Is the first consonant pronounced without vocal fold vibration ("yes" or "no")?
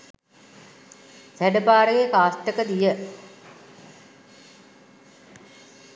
yes